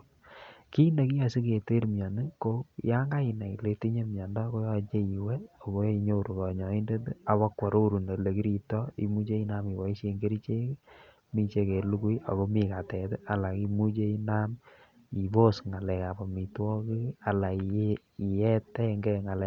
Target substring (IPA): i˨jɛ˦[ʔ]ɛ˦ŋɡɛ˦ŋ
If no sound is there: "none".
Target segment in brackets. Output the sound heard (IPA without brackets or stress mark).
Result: t